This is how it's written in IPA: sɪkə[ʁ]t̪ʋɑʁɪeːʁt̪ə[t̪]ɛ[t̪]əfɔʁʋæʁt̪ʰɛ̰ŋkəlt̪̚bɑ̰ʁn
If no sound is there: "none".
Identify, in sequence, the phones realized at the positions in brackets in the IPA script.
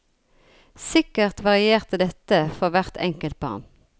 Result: ʁ, d̪, t̪

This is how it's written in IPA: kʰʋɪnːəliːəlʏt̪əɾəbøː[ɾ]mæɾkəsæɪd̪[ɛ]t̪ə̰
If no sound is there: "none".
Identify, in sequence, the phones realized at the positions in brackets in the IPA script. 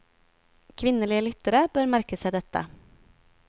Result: ɾ, ɛ

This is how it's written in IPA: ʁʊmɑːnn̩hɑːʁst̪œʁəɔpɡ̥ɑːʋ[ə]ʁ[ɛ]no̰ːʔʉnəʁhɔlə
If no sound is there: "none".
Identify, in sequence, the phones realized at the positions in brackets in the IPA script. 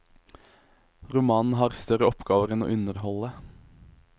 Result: ə, ɛ

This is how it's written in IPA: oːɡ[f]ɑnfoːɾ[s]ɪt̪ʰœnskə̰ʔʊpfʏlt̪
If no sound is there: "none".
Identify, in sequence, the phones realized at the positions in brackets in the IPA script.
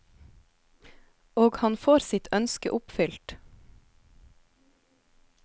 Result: h, s

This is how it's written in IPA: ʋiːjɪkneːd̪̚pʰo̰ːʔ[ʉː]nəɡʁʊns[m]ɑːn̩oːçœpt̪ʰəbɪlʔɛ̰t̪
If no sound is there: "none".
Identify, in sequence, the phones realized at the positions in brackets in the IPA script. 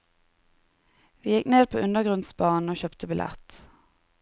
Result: ʉ, b

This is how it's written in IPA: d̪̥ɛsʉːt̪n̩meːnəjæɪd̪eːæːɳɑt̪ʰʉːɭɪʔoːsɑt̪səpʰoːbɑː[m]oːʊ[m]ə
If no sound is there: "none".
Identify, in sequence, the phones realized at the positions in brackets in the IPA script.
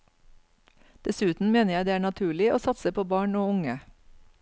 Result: ɳ, ŋ

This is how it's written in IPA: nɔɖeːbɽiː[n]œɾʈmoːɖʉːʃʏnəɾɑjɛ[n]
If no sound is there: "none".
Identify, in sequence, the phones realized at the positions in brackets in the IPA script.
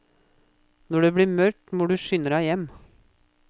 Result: m, m

